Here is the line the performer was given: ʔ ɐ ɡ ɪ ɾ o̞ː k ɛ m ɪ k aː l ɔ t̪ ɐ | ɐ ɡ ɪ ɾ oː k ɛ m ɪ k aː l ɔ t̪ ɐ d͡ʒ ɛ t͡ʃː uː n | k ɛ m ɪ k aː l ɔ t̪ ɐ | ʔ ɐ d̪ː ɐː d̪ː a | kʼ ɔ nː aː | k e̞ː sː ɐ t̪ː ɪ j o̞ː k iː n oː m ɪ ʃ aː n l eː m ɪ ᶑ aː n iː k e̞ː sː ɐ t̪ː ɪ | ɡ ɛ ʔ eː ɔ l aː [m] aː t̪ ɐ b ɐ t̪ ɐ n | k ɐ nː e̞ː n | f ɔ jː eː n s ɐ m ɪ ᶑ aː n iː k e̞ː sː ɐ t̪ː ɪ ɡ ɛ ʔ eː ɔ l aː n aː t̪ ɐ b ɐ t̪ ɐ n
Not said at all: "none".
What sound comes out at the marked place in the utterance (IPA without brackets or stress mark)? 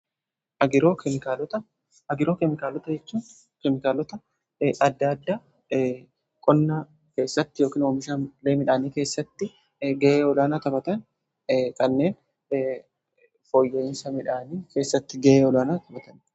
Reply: n